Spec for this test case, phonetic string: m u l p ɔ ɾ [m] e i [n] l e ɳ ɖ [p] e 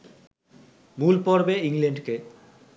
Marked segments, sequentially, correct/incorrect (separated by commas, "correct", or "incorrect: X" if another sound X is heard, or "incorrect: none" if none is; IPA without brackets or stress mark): incorrect: b, incorrect: ŋ, incorrect: k